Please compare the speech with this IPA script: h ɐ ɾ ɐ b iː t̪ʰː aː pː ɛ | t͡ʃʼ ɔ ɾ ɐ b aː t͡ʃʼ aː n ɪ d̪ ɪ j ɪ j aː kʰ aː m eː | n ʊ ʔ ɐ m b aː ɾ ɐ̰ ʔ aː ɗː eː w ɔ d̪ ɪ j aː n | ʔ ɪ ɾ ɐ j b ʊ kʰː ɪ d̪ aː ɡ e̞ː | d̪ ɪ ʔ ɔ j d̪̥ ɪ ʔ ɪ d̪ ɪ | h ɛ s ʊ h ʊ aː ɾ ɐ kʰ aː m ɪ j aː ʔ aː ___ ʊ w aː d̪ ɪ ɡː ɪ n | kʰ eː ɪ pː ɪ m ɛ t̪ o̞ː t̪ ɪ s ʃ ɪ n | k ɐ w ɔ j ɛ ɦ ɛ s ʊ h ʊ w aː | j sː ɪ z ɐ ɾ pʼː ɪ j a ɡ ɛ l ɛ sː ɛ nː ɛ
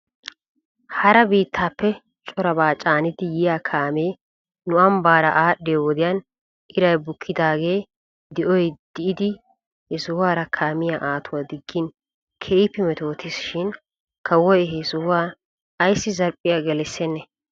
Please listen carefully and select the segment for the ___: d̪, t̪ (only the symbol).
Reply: t̪